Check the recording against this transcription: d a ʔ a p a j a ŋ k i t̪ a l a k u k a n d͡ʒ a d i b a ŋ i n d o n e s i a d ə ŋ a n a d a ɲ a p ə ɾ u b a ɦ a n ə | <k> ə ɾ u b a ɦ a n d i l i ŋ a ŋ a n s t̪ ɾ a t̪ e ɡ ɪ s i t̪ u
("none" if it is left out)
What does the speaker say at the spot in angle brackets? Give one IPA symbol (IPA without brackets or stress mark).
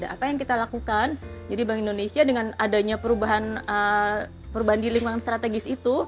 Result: p